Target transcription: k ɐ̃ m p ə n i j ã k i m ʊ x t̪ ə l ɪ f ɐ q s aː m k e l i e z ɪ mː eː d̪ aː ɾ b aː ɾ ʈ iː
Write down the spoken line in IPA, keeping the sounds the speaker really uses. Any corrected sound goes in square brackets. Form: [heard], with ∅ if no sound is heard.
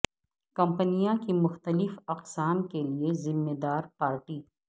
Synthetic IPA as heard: k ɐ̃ m p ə n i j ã k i m ʊ x t̪ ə l ɪ f ɐ q s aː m k e l i e z ɪ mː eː d̪ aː ɾ [p] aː ɾ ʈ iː